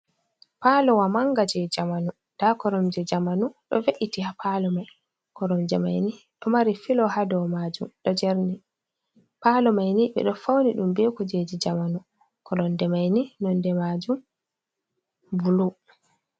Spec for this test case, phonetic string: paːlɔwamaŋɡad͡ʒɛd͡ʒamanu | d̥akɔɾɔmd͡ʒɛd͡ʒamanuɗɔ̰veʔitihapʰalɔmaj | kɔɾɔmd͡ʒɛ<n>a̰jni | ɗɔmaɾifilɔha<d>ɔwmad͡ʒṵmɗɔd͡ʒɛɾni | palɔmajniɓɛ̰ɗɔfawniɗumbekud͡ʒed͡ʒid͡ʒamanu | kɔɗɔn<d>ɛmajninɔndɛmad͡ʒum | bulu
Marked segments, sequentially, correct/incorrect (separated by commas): incorrect, correct, correct